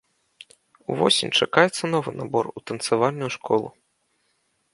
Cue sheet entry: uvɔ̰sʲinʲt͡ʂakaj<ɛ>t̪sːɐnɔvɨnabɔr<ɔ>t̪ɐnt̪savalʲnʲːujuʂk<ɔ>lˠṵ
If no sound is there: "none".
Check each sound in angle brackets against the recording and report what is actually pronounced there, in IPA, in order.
ɛ, u, ɔ

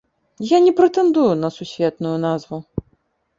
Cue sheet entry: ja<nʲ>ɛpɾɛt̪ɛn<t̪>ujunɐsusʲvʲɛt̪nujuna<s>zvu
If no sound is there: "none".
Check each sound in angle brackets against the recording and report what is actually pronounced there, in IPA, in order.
nʲ, d̪, none

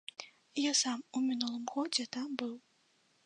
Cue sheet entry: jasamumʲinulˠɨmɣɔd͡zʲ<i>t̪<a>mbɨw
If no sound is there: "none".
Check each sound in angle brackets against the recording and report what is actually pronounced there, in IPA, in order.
ɛ, a

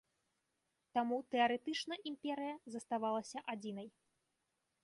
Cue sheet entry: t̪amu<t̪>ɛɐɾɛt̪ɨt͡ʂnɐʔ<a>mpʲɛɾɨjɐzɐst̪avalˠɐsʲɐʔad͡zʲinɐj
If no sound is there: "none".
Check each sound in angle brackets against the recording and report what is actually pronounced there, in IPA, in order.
t̪, i

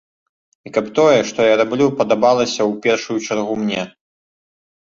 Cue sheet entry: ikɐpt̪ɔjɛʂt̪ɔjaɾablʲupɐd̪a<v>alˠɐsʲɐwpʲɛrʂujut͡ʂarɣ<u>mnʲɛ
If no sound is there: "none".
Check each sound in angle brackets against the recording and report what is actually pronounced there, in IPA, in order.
b, u

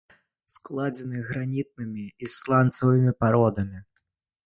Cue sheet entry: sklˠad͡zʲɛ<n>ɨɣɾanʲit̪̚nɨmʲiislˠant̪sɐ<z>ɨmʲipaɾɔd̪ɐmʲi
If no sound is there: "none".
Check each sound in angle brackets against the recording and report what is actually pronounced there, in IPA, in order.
n, v

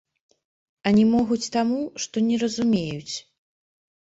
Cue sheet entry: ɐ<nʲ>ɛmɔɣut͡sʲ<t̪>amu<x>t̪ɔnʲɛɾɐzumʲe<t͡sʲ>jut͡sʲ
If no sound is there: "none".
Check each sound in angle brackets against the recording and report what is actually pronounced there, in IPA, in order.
nʲ, t̪, ʂ, none

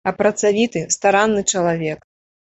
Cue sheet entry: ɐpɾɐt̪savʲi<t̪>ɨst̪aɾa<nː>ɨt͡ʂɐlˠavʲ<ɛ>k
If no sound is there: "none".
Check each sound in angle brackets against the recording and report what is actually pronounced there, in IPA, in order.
t̪, nː, ɛ

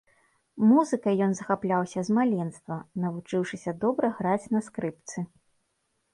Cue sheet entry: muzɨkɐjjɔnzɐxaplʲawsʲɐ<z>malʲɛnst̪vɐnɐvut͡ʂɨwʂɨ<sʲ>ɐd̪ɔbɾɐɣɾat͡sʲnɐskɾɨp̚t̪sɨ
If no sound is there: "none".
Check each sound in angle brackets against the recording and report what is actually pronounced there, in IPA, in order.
z, sʲ

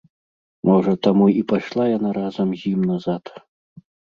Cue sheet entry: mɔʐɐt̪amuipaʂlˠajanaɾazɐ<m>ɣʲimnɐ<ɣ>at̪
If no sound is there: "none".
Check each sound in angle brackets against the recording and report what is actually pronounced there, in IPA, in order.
m, z

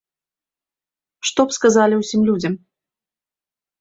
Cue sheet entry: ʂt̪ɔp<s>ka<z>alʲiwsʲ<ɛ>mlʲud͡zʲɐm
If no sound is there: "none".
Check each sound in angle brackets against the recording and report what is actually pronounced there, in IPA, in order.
s, z, i

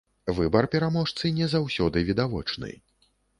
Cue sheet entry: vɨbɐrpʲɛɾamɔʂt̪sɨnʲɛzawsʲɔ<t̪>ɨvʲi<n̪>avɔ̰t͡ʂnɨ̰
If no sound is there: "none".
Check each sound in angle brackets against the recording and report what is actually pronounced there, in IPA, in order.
d̪, d̪

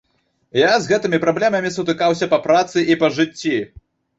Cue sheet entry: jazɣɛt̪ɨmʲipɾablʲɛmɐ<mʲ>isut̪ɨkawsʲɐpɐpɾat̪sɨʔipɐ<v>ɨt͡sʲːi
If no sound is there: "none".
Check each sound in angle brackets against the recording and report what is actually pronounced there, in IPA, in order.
mʲ, ʐ

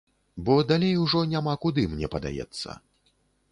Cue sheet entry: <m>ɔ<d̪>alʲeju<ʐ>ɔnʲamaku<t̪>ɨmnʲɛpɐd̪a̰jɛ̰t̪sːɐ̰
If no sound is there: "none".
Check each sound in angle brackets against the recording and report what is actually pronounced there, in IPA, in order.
b, d̪, ʐ, d̪

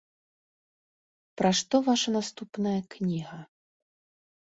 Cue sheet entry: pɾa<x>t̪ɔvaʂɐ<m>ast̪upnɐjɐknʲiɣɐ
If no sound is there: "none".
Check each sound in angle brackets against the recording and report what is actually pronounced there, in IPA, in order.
ʂ, n

